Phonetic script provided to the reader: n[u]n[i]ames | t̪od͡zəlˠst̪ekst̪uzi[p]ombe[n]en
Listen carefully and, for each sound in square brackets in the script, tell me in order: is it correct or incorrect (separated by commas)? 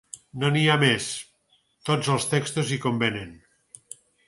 incorrect, correct, incorrect, correct